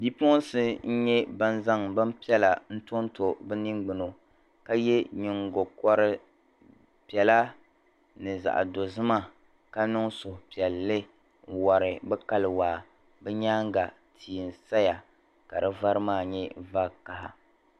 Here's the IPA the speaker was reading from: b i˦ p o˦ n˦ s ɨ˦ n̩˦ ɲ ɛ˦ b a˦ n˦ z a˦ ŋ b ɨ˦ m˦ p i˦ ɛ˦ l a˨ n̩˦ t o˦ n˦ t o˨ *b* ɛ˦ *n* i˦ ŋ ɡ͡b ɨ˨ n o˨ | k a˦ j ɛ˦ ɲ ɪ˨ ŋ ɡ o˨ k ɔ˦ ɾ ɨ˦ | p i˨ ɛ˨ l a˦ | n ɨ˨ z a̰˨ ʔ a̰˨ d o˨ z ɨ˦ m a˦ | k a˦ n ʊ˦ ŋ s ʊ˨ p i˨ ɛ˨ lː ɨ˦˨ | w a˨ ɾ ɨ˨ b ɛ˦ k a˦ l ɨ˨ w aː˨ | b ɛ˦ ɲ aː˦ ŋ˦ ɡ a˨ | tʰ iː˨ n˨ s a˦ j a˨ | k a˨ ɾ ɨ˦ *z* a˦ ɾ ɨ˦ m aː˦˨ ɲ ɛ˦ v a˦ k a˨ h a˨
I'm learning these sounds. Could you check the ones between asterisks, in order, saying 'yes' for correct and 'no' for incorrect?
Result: yes, yes, no

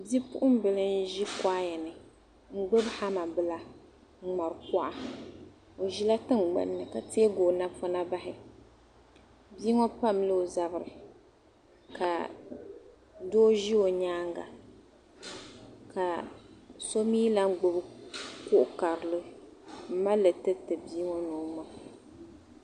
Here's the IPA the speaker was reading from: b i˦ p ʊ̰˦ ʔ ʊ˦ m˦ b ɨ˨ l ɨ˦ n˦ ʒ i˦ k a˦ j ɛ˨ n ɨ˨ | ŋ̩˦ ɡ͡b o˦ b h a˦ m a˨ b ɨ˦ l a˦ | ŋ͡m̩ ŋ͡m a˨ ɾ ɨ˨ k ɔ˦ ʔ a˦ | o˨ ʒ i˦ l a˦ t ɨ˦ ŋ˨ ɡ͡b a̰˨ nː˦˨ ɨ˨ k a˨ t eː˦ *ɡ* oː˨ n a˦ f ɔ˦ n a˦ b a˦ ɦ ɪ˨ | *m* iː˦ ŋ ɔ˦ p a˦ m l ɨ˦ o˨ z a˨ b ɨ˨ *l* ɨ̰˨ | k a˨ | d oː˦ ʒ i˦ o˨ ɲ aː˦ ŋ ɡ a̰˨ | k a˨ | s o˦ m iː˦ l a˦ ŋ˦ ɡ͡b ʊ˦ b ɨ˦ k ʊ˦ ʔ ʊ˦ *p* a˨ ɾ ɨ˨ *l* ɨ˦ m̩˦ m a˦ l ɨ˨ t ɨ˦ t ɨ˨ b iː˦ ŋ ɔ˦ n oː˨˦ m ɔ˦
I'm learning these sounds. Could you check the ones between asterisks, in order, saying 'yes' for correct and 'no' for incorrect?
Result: yes, no, no, no, yes

